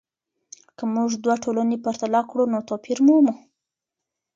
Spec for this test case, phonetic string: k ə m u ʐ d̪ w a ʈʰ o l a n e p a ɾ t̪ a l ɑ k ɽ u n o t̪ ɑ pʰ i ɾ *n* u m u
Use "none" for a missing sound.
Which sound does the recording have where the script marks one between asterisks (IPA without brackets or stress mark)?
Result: m